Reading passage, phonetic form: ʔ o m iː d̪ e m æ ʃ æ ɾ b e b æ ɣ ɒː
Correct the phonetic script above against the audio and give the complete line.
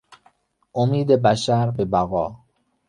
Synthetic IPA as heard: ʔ o m iː d̪ e b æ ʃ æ ɾ b e b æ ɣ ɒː